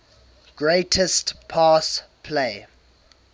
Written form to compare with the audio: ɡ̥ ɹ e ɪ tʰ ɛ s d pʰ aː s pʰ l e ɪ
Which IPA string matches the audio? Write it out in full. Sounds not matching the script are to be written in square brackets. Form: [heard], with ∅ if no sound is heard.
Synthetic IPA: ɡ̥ ɹ e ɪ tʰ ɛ s [t] pʰ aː s pʰ l e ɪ

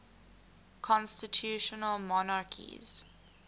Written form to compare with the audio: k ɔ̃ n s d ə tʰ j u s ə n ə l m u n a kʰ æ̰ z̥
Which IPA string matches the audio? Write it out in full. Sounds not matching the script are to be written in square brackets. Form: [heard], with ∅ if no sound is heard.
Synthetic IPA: [kʰ] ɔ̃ n s [t] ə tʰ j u [ʃ] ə n ə l m [ɔ] n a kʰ [ḭ] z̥

